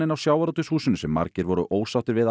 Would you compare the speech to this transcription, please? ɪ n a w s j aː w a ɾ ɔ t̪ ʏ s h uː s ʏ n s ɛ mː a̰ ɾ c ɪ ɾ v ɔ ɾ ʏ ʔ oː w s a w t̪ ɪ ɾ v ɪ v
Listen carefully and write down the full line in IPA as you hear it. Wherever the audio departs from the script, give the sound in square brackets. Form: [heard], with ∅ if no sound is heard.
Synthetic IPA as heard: ɪ n a w s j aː w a ɾ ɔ t̪ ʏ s h uː s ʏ n s ɛ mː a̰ ɾ c ɪ ɾ v ɔ ɾ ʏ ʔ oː w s a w t̪ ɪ ɾ v ɪ [ð]